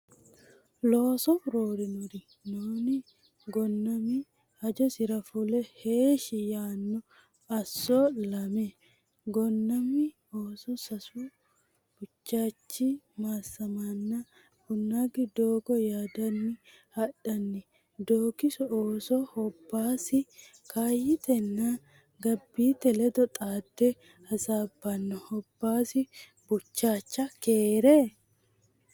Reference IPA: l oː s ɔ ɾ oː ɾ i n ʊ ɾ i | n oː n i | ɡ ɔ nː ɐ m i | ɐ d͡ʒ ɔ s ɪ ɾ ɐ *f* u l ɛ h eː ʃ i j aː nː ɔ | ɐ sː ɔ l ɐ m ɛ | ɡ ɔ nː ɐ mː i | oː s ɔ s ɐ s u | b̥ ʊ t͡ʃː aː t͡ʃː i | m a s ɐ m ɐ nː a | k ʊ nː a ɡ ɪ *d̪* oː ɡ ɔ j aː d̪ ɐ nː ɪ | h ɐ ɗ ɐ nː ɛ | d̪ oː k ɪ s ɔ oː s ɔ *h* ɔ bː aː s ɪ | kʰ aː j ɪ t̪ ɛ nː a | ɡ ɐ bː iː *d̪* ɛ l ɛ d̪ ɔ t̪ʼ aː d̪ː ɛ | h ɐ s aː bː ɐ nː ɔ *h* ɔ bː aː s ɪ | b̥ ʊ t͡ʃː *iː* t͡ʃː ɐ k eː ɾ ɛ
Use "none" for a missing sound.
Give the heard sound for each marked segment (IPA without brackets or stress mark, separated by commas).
f, d̪, h, t̪, h, aː